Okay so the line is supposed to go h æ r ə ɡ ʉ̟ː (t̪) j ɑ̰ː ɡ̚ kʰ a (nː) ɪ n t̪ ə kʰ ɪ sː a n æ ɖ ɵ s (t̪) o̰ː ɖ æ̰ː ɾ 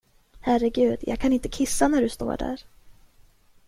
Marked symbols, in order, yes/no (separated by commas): no, no, yes